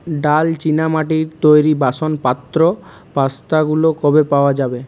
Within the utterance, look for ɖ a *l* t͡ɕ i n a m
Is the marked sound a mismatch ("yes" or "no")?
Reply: no